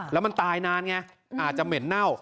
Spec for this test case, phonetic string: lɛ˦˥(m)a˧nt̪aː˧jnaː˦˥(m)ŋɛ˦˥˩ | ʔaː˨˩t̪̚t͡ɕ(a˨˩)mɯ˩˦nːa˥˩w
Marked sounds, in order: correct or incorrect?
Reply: correct, incorrect, correct

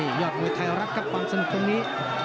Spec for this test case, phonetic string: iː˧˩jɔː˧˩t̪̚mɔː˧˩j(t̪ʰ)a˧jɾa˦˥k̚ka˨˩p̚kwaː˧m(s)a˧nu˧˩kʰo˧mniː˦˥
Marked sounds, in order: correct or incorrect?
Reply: correct, correct

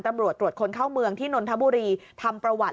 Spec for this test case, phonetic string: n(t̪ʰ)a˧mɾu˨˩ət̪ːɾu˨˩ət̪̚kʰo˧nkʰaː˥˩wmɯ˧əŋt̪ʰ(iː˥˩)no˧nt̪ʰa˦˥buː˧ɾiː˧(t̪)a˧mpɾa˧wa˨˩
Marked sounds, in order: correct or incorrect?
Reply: incorrect, correct, incorrect

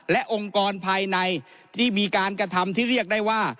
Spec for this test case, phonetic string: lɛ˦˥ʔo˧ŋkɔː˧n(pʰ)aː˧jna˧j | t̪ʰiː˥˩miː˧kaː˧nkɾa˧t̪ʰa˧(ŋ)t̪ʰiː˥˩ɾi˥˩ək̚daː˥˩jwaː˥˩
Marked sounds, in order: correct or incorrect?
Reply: correct, incorrect

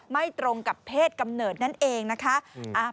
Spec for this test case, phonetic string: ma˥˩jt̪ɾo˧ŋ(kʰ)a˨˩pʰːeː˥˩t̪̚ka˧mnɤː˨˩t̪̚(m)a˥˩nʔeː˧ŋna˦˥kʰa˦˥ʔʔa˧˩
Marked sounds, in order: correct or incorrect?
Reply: incorrect, incorrect

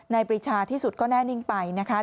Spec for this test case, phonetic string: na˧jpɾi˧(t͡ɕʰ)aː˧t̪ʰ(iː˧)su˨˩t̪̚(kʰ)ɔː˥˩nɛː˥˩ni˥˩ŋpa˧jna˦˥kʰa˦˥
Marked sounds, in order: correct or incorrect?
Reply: correct, incorrect, incorrect

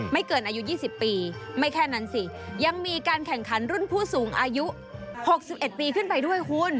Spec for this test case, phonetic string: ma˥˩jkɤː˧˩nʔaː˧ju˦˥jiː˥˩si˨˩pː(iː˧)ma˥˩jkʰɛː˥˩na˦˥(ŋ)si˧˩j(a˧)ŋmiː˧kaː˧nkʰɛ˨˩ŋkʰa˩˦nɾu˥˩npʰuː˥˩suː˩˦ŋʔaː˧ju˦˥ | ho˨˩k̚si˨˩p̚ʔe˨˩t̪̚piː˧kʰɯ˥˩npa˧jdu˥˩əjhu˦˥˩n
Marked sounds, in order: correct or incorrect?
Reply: correct, incorrect, correct

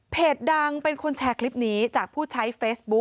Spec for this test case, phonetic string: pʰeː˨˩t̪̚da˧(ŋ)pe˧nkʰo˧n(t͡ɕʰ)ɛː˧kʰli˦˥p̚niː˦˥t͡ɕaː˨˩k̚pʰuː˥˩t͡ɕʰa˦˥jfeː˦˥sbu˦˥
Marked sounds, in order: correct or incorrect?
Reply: correct, correct

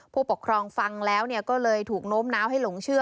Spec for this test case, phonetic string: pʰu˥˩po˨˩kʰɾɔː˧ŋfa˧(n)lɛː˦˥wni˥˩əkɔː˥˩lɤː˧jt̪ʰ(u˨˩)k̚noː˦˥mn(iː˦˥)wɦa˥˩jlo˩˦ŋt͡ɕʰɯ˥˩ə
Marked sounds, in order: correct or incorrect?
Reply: incorrect, incorrect, incorrect

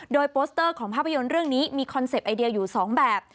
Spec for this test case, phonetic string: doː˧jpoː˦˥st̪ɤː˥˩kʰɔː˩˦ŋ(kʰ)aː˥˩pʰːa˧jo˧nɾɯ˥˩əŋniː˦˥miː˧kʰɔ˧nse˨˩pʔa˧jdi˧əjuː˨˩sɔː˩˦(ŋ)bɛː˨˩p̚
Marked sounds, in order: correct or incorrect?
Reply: incorrect, correct

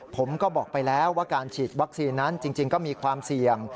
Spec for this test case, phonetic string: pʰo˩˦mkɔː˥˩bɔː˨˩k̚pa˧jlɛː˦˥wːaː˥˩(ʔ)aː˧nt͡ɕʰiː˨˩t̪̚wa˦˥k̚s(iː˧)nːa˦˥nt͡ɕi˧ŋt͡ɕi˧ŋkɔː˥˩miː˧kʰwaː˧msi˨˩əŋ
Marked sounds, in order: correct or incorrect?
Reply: incorrect, correct

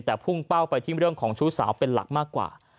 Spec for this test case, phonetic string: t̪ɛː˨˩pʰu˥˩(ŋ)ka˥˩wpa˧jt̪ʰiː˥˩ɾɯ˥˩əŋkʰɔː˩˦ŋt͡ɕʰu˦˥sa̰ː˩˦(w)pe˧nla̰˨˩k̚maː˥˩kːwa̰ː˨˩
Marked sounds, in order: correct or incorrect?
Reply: correct, correct

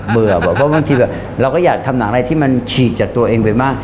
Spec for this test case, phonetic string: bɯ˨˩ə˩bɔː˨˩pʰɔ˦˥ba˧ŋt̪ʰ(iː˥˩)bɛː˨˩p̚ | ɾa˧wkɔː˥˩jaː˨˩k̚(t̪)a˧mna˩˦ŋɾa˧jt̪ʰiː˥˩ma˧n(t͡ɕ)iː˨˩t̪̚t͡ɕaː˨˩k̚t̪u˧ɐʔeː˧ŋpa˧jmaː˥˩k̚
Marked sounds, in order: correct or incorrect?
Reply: incorrect, incorrect, incorrect

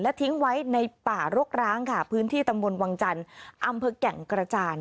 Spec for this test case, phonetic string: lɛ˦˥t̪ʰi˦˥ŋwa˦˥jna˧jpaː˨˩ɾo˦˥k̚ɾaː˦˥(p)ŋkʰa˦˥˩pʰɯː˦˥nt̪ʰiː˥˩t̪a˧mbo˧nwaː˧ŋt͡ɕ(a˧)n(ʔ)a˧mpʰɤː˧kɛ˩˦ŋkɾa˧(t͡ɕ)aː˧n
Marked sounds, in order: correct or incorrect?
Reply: incorrect, correct, correct, correct

